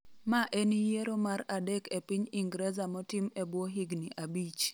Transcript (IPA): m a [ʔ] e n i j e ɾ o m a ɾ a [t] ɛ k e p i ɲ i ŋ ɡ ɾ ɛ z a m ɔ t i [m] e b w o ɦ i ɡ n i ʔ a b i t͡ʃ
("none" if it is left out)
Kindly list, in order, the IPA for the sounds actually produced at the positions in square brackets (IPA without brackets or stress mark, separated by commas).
ʔ, d, m